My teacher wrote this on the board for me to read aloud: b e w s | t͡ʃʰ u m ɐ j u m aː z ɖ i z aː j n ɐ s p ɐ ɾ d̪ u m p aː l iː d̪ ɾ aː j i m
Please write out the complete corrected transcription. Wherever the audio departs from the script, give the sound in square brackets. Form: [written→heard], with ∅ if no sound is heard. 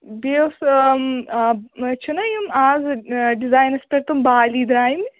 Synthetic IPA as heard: b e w s | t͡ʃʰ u [m→n] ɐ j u m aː z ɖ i z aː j n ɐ s p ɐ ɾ [d̪→t̪] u m [p→b] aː l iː d̪ ɾ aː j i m